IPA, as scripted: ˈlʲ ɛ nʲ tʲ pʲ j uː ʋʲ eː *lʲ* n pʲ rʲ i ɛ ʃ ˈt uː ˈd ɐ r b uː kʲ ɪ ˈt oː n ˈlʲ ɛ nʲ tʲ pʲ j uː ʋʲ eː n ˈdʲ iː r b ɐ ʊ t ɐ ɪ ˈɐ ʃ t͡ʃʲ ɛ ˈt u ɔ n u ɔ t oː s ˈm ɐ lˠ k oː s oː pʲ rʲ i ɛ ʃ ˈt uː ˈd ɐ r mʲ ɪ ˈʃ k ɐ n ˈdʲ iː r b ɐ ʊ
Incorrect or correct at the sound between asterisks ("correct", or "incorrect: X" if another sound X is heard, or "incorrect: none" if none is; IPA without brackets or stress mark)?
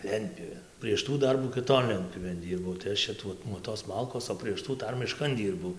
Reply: incorrect: none